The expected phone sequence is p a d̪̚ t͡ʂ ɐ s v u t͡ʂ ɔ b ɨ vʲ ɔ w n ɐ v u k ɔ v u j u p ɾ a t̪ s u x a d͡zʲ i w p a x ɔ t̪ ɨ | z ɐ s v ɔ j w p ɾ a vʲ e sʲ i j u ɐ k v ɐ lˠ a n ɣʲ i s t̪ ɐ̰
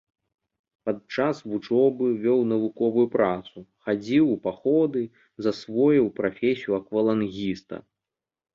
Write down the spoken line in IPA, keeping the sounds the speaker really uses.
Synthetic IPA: p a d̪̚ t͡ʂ a s v u t͡ʂ ɔ b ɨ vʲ ɔ w n ɐ v u k ɔ v u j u p ɾ a t̪ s u x a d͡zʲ i w p a x ɔ d̪ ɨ | z ɐ s v ɔ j w p ɾ a fʲ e sʲ i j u ɐ k v ɐ lˠ a n ɣʲ i s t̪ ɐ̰

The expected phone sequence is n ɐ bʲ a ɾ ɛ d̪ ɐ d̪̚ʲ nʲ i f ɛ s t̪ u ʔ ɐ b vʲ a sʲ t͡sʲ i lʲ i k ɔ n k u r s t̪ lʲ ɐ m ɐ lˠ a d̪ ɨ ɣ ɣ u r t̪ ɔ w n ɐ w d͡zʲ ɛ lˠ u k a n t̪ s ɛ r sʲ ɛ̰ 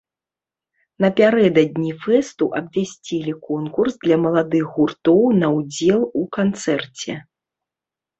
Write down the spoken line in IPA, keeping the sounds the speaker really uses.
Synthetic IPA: n ɐ pʲ a ɾ ɛ d̪ ɐ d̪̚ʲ nʲ i f ɛ s t̪ u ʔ ɐ b vʲ a sʲ t͡sʲ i lʲ i k ɔ n k u r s d̪ lʲ ɐ m ɐ lˠ a d̪ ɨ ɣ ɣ u r t̪ ɔ w n ɐ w d͡zʲ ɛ lˠ u k a n t̪ s ɛ r t͡sʲ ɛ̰

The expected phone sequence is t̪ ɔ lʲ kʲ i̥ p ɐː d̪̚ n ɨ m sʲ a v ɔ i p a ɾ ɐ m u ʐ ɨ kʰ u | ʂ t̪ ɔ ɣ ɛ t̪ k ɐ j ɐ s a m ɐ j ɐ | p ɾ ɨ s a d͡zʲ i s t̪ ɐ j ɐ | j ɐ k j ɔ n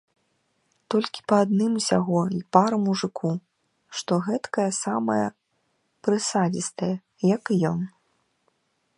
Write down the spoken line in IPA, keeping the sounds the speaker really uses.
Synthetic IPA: t̪ ɔ lʲ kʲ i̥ p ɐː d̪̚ n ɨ m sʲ a ɣ ɔ i p a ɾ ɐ m u ʐ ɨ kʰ u | ʂ t̪ ɔ ɣ ɛ t̪ k ɐ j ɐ s a m ɐ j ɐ | p ɾ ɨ s a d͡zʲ i s t̪ ɐ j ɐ | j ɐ k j ɔ n

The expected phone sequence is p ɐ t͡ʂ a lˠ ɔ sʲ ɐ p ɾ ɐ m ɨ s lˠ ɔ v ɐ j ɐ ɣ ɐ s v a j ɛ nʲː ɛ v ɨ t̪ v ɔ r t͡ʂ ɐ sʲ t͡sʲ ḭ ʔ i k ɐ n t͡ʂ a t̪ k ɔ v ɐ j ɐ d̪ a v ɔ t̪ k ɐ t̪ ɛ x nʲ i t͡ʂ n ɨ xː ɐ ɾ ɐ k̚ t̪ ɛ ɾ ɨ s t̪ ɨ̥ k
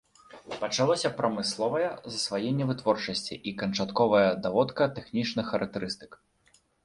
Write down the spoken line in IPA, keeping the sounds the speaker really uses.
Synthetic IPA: p ɐ t͡ʂ a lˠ ɔ sʲ ɐ p ɾ ɐ m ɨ s lˠ ɔ v ɐ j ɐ z ɐ s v a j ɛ nʲː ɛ v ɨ t̪ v ɔ r t͡ʂ ɐ sʲ t͡sʲ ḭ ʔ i k ɐ n t͡ʂ a t̪ k ɔ v ɐ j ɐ d̪ a v ɔ t̪ k ɐ t̪ ɛ x nʲ i t͡ʂ n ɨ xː ɐ ɾ ɐ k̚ t̪ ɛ ɾ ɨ s t̪ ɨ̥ k

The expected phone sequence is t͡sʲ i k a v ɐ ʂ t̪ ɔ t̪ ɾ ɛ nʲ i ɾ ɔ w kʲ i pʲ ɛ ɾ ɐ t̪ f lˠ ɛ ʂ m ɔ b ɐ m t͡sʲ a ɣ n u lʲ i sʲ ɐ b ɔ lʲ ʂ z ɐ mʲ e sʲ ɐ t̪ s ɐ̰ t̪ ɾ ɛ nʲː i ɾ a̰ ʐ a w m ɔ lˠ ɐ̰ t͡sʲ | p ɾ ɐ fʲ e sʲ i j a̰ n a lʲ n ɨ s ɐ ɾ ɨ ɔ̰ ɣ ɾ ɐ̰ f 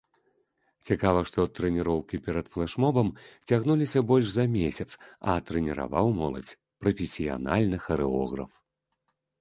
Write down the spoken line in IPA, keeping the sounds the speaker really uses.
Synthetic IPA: t͡sʲ i k a v ɐ ʂ t̪ ɔ t̪ ɾ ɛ nʲ i ɾ ɔ w kʲ i pʲ ɛ ɾ ɐ t̪ f lˠ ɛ ʂ m ɔ b ɐ m t͡sʲ a ɣ n u lʲ i sʲ ɐ b ɔ lʲ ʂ z ɐ mʲ e sʲ ɐ t̪ s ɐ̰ t̪ ɾ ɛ nʲ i ɾ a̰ v a w m ɔ lˠ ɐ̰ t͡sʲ | p ɾ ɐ fʲ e sʲ i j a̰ n a lʲ n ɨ x ɐ ɾ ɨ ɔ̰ ɣ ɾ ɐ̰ f

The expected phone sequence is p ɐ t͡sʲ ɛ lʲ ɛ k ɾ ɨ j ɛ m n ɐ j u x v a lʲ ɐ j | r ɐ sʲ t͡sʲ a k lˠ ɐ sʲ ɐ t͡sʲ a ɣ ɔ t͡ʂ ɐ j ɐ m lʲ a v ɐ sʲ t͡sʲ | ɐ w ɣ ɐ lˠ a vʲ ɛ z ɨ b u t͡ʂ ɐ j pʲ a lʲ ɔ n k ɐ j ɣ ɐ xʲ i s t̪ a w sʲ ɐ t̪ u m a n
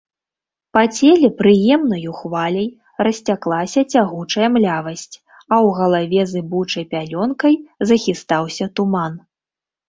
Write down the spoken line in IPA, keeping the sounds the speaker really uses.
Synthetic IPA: p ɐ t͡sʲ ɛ lʲ ɛ p ɾ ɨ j ɛ m n ɐ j u x v a lʲ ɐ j | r ɐ sʲ t͡sʲ a k lˠ a sʲ ɐ t͡sʲ a ɣ u t͡ʂ ɐ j ɐ m lʲ a v ɐ sʲ t͡sʲ | ɐ w ɣ ɐ lˠ a vʲ ɛ z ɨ b u t͡ʂ ɐ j pʲ a lʲ ɔ n k ɐ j z ɐ xʲ i s t̪ a w sʲ ɐ t̪ u m a n

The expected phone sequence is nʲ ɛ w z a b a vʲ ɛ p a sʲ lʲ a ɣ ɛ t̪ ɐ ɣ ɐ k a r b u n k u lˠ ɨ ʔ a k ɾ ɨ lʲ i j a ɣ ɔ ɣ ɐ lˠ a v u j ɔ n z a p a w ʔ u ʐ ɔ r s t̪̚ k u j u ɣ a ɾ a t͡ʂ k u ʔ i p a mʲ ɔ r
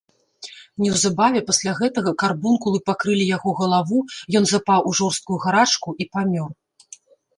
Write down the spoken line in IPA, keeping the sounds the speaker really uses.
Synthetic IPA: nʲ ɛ w z a b a vʲ ɛ p a sʲ lʲ a ɣ ɛ t̪ ɐ ɣ ɐ k a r b u n k u lˠ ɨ p a k ɾ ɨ lʲ i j a ɣ ɔ ɣ ɐ lˠ a v u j ɔ n z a p a w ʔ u ʐ ɔ r s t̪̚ k u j u ɣ a ɾ a t͡ʂ k u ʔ i p a mʲ ɔ r

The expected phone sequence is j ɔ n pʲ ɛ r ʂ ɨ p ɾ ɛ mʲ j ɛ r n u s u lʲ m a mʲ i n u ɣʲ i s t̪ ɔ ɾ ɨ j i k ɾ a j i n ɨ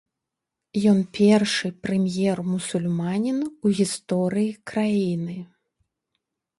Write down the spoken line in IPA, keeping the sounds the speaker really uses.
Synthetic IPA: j ɔ n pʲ ɛ r ʂ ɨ p ɾ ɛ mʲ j ɛ r m u s u lʲ m a nʲ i n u ɣʲ i s t̪ ɔ ɾ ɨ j i k ɾ a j i n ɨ

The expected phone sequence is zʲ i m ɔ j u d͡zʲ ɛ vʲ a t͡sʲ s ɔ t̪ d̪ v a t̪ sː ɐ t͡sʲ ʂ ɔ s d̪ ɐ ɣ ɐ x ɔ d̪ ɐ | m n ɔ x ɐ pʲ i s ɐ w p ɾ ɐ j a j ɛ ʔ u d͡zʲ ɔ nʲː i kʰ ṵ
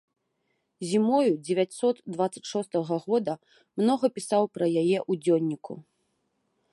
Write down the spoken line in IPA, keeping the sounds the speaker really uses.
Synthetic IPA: zʲ i m ɔ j u d͡zʲ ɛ vʲ a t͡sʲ s ɔ t̪ d̪ v a t̪ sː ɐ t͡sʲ ʂ ɔ s t̪ ɐ ɣ ɐ ɣ ɔ d̪ ɐ | m n ɔ ɣ ɐ pʲ i s a w p ɾ ɐ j a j ɛ ʔ u d͡zʲ ɔ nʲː i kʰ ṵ

